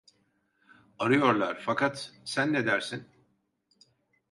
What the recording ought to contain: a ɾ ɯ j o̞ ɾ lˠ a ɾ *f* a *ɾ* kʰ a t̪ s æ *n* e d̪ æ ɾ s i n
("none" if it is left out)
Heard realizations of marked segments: f, none, nː

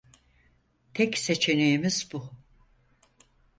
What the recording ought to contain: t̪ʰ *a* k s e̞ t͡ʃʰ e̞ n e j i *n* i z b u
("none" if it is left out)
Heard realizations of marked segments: ɛ, m

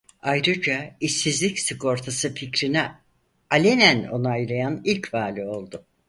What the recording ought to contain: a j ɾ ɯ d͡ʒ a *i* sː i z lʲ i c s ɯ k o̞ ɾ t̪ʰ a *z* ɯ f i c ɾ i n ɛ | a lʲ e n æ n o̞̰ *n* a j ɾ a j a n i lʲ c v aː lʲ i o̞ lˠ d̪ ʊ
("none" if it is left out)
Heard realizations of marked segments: i, s, n

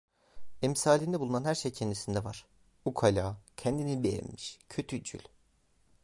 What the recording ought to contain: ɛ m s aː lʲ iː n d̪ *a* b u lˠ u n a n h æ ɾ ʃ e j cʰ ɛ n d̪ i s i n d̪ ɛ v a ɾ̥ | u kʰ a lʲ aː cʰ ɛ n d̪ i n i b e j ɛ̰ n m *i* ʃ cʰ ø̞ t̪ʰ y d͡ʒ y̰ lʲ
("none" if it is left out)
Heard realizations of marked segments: ɛ, i

